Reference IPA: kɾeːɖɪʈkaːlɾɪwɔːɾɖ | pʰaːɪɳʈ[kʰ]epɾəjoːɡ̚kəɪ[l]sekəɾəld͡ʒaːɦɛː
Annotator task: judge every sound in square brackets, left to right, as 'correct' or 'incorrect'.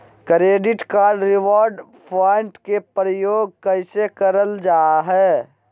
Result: incorrect: k, incorrect: none

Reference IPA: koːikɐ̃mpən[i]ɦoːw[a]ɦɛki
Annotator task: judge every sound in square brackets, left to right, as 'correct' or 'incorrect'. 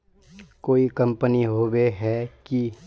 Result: correct, incorrect: e

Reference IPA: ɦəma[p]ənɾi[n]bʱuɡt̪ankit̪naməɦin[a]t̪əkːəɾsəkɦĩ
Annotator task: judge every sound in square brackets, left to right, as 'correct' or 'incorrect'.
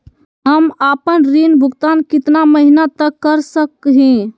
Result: correct, correct, correct

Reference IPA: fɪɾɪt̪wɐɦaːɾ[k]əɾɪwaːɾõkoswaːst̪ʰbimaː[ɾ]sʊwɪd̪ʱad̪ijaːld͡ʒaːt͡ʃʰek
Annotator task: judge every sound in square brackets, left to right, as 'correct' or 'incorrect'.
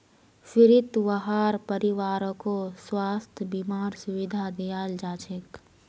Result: incorrect: p, correct

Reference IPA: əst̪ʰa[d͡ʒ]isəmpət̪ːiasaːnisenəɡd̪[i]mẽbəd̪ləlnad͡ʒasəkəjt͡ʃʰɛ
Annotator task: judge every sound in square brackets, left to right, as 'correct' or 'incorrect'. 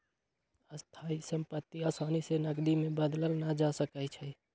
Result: incorrect: none, correct

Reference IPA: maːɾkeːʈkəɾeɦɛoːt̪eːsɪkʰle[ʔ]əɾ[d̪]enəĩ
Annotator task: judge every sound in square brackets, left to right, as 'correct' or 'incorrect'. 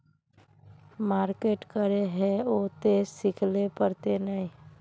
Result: incorrect: p, incorrect: t̪

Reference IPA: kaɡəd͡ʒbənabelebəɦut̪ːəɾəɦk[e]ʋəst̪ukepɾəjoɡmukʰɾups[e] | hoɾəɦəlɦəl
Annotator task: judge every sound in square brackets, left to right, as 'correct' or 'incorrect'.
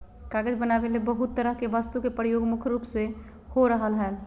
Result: correct, correct

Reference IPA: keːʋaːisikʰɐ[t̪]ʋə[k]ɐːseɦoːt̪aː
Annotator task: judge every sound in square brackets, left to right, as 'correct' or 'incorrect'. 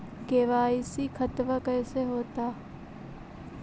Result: correct, correct

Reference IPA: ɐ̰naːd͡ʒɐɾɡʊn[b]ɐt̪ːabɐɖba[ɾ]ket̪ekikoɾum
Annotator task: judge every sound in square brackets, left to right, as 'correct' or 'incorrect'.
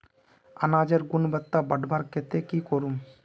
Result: correct, correct

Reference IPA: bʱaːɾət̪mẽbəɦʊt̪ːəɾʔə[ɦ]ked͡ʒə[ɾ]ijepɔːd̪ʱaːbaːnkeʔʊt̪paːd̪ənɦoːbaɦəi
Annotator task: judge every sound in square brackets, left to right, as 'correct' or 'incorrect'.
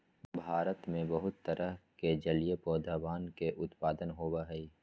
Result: correct, incorrect: l

